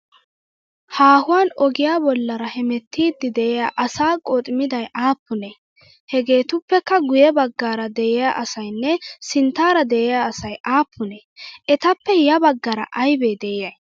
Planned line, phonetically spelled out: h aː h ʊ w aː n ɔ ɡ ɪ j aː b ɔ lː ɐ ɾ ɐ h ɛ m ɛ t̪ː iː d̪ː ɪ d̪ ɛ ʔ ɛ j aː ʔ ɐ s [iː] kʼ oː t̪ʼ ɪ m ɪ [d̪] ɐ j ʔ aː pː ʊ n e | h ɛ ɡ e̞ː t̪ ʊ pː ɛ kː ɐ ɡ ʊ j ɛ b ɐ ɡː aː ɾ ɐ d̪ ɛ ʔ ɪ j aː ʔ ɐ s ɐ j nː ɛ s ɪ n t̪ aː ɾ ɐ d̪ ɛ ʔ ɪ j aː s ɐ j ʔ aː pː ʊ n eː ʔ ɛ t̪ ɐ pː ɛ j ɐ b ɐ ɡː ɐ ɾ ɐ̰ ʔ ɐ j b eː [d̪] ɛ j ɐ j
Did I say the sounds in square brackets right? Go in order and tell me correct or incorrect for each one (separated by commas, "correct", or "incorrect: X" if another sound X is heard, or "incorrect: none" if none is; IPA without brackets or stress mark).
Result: incorrect: aː, correct, correct